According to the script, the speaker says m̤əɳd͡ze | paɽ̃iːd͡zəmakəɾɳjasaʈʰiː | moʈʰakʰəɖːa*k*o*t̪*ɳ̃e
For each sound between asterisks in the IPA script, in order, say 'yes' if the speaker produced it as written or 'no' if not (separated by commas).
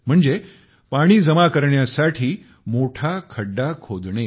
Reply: no, no